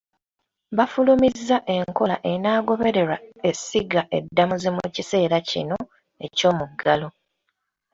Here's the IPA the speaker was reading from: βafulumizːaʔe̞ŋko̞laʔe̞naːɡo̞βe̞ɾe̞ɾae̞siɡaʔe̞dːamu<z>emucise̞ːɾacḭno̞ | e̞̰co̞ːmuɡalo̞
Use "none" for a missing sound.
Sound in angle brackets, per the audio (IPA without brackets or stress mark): z